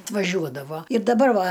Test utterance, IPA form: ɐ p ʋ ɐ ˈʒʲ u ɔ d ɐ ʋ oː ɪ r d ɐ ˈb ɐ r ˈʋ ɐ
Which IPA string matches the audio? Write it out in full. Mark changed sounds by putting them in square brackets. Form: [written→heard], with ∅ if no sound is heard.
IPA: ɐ [p→t] ʋ ɐ ˈʒʲ u ɔ d ɐ ʋ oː ɪ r d ɐ ˈb ɐ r ˈʋ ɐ